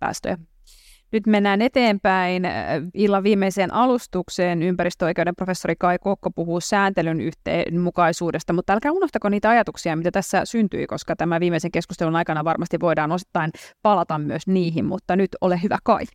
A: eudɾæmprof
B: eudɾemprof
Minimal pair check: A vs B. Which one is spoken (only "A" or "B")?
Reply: B